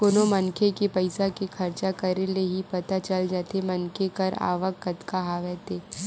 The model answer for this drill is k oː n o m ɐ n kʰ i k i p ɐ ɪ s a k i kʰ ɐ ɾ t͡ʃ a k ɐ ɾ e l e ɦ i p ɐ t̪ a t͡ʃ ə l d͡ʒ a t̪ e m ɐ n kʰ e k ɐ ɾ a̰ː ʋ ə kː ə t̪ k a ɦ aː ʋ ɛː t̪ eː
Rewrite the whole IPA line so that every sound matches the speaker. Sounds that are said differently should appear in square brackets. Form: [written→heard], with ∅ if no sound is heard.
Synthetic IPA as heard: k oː n o m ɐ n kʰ [i→e] k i p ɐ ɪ s a k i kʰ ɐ ɾ t͡ʃ a k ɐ ɾ e l e ɦ i p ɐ t̪ a t͡ʃ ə l d͡ʒ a t̪ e m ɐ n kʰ e k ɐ ɾ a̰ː ʋ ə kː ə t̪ k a ɦ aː ʋ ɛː t̪ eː